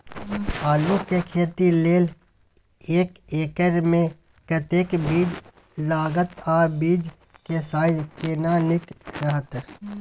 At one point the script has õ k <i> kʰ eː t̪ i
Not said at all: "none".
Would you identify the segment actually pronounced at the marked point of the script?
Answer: e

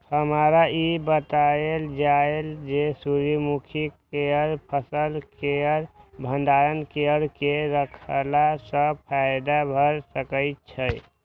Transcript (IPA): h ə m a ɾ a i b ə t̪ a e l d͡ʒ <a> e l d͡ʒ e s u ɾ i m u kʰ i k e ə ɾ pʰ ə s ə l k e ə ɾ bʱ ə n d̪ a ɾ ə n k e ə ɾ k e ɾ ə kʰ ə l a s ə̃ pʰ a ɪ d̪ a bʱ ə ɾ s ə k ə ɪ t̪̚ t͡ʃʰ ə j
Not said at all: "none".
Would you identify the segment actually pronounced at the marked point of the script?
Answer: a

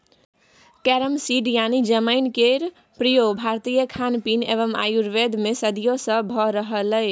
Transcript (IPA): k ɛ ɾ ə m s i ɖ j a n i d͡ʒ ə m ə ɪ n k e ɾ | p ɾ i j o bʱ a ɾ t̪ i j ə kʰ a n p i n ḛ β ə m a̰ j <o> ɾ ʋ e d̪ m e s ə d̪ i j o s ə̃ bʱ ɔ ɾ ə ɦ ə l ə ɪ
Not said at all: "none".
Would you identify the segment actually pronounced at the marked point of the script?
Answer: u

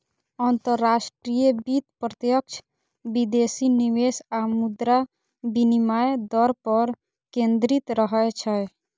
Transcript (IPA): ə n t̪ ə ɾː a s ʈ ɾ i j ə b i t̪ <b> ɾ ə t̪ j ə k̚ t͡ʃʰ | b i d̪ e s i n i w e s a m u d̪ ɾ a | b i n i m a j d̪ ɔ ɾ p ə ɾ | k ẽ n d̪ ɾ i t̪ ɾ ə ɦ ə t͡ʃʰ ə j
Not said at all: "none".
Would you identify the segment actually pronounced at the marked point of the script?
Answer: p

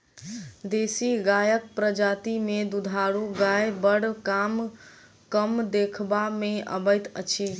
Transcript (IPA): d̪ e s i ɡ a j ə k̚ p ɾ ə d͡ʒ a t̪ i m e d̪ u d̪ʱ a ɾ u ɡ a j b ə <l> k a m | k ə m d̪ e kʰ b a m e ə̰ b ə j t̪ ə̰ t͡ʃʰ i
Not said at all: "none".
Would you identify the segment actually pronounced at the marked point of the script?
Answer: ɽ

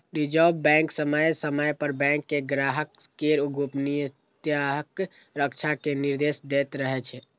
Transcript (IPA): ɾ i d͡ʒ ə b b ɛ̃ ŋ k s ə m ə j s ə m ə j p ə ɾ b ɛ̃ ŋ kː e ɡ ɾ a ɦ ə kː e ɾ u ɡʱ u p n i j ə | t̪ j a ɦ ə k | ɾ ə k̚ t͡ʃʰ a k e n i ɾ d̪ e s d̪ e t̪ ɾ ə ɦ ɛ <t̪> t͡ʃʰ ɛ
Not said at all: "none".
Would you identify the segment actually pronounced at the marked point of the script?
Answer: none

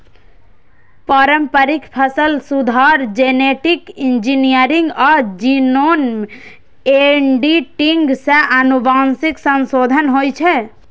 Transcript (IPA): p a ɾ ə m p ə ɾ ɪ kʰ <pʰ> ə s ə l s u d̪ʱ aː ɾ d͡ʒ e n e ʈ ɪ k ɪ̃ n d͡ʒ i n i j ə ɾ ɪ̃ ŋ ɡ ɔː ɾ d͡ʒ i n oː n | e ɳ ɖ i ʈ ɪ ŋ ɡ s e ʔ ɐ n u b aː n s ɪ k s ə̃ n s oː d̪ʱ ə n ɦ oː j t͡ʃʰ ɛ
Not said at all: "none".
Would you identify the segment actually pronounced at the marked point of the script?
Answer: pʰ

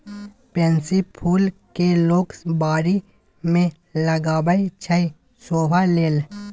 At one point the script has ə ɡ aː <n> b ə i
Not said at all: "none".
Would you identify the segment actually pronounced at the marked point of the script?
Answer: none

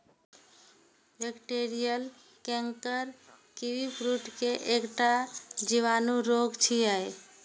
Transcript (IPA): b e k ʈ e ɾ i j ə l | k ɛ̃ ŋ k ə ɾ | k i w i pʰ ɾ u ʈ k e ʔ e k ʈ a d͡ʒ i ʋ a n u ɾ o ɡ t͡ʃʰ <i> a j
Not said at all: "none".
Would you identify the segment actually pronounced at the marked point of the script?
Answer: i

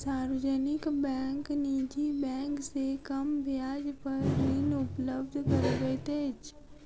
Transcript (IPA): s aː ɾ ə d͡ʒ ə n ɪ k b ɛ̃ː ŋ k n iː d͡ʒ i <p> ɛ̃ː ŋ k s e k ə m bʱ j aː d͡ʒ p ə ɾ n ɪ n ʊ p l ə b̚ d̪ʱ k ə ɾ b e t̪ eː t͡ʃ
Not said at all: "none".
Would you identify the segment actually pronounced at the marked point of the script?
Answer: b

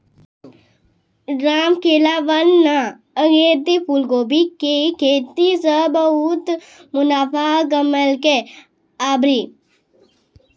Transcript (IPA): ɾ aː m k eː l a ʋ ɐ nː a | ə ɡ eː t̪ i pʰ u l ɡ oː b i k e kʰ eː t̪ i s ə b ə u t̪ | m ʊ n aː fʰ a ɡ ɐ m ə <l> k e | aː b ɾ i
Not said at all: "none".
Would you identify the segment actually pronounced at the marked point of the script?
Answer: l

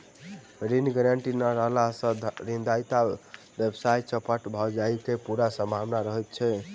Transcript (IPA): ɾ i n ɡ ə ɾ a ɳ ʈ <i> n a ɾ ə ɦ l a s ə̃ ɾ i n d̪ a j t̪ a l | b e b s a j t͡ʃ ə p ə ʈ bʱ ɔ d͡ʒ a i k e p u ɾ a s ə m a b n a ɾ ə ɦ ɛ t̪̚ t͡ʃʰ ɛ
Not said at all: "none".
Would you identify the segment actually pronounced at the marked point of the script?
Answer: i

